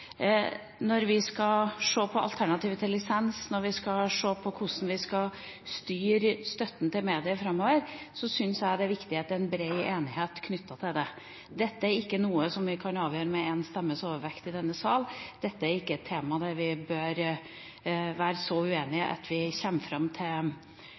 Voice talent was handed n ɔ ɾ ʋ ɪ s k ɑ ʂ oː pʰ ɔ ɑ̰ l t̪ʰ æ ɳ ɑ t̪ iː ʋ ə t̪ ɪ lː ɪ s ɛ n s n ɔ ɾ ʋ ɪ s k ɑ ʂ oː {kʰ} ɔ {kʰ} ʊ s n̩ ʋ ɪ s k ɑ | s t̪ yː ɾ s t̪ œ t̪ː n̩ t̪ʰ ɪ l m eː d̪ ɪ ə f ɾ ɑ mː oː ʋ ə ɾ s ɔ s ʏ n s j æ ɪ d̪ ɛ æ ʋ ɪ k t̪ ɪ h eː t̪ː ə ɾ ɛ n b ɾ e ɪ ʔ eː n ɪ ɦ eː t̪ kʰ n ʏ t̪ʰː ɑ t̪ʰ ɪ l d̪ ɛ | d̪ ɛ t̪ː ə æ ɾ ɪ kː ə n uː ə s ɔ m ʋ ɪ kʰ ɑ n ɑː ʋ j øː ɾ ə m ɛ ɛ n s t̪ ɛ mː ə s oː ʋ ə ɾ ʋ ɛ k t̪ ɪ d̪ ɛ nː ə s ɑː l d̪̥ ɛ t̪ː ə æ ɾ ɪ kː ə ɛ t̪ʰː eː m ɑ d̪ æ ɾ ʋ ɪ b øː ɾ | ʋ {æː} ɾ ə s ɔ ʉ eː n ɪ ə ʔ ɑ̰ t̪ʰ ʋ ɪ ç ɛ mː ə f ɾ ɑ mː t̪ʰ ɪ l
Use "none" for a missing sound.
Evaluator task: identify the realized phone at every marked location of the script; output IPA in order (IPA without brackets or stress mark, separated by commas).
pʰ, kʰ, æː